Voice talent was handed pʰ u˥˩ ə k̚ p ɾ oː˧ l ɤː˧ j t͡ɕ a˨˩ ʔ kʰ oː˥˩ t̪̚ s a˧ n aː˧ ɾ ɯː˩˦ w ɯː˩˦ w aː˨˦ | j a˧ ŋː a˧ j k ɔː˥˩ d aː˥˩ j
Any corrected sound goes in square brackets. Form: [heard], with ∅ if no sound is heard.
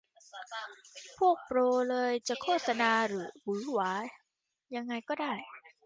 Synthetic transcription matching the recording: pʰ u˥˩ ə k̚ p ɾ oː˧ l ɤː˧ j t͡ɕ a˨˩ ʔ kʰ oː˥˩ t̪̚ s a˧ n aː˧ ɾ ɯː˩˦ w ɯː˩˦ w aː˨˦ | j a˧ ŋː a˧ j k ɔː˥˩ d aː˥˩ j